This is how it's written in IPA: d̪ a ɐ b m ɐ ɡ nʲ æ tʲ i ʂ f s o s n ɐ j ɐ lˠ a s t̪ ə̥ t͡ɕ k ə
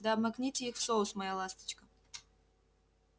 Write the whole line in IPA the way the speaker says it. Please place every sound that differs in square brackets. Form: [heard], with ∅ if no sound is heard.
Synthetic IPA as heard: d̪ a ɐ b m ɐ [k] nʲ [i] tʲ i [x] f s o s [m] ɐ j [a] lˠ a s t̪ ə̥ t͡ɕ k ə